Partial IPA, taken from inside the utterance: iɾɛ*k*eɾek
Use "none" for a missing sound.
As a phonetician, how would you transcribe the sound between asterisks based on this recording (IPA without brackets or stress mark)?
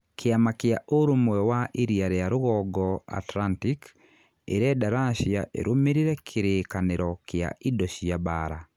kʰ